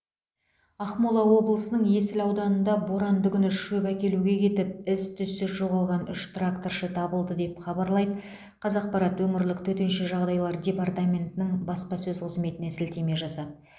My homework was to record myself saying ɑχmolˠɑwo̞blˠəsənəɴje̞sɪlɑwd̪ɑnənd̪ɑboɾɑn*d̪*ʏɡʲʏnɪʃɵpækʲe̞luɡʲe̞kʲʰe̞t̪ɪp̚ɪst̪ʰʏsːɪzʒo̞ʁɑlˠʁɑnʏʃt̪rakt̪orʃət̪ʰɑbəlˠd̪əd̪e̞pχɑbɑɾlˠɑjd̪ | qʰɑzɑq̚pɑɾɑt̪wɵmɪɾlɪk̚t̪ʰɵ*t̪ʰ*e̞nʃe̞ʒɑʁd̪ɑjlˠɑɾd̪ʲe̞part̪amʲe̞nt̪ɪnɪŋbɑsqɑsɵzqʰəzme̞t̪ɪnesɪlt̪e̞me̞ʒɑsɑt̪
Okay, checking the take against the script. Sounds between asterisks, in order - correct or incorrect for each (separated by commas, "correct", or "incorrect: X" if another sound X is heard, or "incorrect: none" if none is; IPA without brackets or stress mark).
correct, incorrect: t̪